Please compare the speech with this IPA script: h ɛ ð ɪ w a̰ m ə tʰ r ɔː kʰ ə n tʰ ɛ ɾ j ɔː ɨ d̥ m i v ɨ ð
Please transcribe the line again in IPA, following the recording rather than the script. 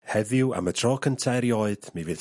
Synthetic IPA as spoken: h ɛ ð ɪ w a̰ m ə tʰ r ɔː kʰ ə n tʰ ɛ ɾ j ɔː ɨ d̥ m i v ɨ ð